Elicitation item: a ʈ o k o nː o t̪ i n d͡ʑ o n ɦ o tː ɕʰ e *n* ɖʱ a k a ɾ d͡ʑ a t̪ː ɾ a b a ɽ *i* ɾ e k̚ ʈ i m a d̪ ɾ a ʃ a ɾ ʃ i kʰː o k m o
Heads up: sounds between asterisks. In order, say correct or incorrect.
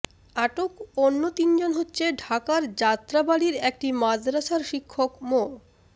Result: incorrect, correct

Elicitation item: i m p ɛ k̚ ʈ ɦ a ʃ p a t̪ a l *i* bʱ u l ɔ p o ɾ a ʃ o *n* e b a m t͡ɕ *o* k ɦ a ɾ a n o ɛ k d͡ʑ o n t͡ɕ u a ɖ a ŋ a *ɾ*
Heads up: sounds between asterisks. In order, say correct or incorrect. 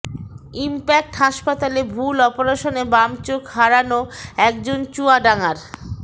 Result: incorrect, correct, correct, correct

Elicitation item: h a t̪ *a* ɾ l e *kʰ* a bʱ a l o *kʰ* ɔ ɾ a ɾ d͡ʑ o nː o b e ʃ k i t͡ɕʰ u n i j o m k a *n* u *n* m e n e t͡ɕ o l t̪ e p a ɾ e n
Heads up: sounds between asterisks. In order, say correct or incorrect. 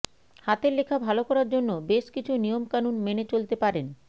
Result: incorrect, correct, incorrect, correct, correct

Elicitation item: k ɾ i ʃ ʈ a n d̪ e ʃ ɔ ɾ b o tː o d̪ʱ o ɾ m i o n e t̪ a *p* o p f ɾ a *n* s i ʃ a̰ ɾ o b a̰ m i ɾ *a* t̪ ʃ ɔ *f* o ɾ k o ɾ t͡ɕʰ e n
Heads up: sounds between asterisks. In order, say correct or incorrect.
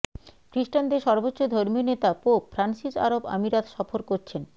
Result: correct, correct, correct, correct

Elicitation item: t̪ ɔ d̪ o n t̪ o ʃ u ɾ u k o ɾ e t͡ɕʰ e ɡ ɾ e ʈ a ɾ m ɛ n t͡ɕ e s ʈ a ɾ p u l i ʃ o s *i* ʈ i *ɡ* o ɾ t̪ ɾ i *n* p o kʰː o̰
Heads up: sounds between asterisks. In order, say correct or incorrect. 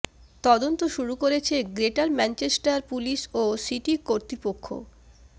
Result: correct, incorrect, incorrect

